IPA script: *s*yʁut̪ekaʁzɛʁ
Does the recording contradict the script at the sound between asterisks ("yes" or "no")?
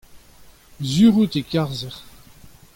yes